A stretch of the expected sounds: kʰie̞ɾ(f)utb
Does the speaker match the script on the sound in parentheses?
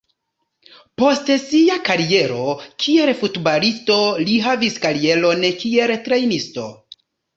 yes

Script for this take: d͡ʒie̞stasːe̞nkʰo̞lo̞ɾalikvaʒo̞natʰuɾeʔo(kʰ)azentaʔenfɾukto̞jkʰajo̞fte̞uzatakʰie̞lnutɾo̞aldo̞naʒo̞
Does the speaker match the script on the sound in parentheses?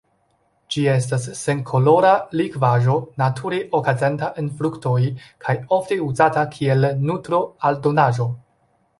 no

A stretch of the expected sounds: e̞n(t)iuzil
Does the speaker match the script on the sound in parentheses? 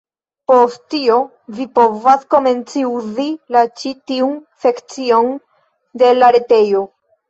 no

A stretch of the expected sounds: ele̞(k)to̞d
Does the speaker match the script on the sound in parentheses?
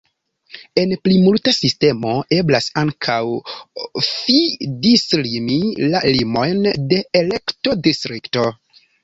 yes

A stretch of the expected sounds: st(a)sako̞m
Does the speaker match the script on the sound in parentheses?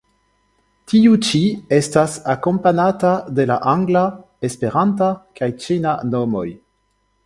yes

